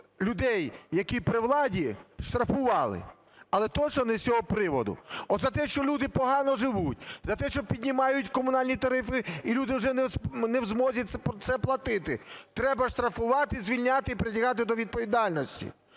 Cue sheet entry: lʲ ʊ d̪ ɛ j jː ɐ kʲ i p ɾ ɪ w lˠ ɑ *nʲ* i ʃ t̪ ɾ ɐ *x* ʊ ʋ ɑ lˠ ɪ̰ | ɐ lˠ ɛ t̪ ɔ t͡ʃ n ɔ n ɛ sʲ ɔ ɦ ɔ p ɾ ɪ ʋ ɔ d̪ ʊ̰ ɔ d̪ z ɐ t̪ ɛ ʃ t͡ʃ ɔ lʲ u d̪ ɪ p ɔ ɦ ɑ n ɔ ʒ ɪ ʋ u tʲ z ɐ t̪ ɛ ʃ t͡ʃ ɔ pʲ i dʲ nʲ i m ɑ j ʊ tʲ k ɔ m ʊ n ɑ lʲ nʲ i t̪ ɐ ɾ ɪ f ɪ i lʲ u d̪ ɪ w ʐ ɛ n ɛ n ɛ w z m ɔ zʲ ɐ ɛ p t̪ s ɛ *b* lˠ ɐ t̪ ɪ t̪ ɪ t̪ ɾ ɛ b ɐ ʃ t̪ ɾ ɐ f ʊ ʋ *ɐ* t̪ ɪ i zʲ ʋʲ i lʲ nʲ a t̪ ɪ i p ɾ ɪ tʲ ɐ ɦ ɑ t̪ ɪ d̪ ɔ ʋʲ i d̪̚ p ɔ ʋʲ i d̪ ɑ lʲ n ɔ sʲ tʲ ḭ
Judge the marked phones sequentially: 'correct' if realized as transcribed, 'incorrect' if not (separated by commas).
incorrect, incorrect, incorrect, incorrect